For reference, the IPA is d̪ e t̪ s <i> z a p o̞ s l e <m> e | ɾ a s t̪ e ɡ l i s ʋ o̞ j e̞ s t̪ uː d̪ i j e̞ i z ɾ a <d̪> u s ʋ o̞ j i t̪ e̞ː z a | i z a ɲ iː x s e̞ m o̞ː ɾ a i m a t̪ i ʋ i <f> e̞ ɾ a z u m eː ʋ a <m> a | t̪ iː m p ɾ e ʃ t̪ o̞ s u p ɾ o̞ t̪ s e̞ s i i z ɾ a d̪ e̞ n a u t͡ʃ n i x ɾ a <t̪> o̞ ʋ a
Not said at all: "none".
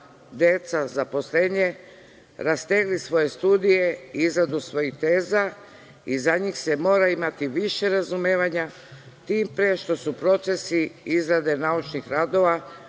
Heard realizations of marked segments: a, ɲ, d̪, ʃ, ɲ, d̪

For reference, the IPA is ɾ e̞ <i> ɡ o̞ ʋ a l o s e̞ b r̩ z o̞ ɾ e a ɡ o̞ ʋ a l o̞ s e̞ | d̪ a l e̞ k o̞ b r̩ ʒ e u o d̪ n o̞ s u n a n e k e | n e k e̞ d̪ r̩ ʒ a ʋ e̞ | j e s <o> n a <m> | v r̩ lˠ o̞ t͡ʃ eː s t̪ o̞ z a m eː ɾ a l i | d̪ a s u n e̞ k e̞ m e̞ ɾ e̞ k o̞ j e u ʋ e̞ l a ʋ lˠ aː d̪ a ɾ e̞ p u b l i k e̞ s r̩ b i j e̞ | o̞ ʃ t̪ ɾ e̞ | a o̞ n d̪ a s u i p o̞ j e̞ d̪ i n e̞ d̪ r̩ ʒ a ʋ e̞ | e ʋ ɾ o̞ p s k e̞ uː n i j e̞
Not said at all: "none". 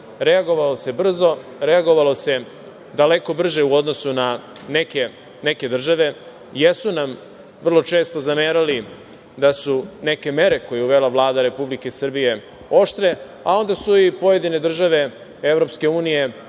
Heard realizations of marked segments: a, u, m

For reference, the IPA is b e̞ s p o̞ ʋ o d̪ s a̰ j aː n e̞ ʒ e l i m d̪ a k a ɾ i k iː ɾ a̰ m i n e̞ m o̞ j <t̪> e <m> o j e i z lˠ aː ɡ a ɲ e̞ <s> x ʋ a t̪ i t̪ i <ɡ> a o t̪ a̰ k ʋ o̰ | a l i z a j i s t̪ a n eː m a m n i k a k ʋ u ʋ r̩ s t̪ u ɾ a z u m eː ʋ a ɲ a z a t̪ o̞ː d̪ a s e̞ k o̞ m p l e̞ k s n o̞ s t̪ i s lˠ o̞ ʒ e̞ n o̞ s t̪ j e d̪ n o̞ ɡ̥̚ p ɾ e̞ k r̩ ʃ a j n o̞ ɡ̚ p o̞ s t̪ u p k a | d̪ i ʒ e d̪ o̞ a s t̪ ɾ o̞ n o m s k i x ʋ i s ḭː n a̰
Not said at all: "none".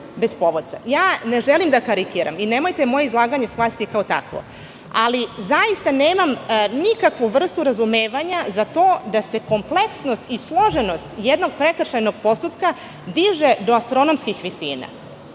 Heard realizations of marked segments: t̪, m, s, k

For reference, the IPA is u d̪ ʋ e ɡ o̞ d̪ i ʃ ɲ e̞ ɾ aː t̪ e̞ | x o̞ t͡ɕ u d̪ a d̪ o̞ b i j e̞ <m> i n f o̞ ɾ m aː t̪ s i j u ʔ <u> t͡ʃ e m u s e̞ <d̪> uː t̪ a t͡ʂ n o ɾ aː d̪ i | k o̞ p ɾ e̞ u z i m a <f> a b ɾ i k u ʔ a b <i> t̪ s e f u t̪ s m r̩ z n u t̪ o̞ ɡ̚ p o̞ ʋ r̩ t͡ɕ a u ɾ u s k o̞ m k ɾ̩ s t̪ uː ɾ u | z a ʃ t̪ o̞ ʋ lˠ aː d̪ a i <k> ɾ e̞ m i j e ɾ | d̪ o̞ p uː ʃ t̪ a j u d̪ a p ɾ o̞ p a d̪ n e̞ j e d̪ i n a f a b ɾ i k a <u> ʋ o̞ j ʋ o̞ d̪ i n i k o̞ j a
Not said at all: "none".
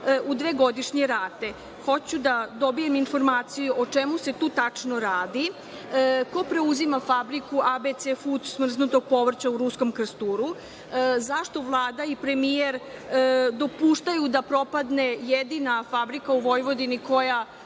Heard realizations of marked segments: m, o, t̪, f, e, p, u

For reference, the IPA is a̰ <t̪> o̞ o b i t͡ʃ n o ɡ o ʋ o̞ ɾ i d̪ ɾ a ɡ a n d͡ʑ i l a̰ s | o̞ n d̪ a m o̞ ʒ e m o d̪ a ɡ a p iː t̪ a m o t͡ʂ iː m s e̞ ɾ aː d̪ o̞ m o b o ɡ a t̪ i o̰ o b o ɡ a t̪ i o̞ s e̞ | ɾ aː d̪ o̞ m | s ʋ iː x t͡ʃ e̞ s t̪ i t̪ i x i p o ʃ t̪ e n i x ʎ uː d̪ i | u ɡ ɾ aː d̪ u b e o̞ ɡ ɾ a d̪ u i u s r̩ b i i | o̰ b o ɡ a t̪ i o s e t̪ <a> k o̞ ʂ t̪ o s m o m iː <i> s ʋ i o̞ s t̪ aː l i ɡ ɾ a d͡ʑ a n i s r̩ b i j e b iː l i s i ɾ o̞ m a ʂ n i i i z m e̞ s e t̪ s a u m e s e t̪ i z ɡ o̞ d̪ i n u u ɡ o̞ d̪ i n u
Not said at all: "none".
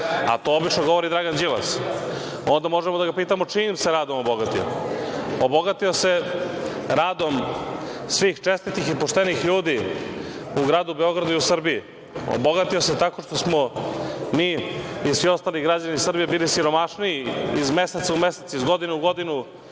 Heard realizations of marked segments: t̪, a, i

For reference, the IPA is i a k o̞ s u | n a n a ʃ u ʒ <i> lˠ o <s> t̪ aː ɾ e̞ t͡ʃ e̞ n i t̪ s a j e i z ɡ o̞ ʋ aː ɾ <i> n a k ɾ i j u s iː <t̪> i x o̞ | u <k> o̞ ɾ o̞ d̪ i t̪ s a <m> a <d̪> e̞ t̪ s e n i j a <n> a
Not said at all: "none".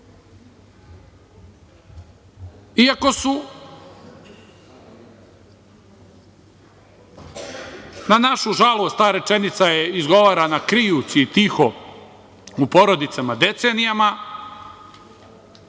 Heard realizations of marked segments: a, s, a, t̪, p, m, d̪, m

